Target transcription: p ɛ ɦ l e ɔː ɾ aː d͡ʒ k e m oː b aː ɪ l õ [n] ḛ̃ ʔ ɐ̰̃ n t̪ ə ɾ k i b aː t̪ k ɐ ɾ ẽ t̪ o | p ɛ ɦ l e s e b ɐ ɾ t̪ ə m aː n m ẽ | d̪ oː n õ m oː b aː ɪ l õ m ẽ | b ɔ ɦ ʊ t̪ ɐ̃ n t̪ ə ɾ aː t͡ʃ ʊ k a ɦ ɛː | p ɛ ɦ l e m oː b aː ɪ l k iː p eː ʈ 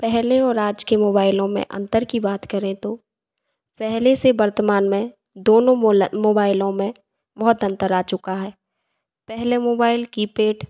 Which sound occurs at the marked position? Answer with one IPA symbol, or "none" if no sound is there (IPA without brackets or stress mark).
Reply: m